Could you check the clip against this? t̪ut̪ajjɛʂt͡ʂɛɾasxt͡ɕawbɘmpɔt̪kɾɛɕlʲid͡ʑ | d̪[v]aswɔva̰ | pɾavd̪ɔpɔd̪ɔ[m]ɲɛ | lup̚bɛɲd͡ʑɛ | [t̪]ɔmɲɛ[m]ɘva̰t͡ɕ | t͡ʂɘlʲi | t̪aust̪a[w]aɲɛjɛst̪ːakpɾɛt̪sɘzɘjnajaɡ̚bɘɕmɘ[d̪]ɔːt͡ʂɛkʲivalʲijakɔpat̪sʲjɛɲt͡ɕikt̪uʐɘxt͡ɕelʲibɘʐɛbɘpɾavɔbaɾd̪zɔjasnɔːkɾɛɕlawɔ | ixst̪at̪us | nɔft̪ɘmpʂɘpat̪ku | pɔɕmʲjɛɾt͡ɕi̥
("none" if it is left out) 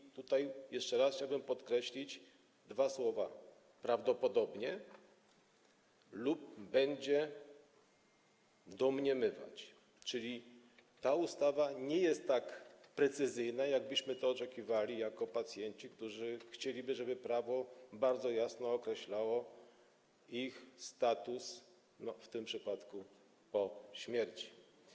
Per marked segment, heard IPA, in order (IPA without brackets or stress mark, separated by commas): v, b, d̪, m, v, t̪